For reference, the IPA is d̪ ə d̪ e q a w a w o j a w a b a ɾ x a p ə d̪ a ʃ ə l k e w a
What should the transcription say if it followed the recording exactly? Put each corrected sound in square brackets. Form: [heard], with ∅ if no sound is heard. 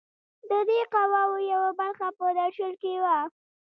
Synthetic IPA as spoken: d̪ ə d̪ e q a w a w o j a w a b a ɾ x a p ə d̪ a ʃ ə l k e w a